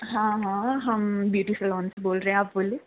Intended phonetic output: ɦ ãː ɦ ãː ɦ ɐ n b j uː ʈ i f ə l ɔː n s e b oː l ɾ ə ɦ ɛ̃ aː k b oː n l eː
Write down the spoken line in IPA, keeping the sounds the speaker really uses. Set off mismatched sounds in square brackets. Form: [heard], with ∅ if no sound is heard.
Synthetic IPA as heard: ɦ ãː ɦ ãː ɦ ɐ [m] b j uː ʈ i f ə l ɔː n s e b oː l ɾ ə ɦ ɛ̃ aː [p] b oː [∅] l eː